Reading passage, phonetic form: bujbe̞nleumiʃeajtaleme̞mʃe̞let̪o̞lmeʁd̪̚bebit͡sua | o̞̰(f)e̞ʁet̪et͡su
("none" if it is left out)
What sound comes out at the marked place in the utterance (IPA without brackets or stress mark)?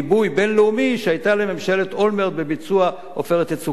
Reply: f